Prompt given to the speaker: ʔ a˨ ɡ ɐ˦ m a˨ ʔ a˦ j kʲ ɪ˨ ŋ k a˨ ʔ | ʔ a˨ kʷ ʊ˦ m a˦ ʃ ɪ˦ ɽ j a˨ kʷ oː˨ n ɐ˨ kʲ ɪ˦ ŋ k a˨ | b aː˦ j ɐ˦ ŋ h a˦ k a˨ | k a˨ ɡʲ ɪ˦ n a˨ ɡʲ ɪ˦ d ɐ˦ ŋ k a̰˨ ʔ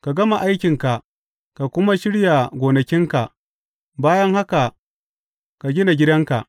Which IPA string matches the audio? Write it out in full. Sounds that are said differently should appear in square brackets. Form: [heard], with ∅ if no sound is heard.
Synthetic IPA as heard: [k] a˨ ɡ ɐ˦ m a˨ ʔ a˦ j kʲ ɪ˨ ŋ k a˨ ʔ | [k] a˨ kʷ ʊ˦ m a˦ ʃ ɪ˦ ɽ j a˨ [ɡʷ] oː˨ n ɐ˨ kʲ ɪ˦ ŋ k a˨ | b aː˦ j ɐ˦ ŋ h a˦ k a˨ | k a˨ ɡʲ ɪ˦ n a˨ ɡʲ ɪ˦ d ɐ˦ ŋ k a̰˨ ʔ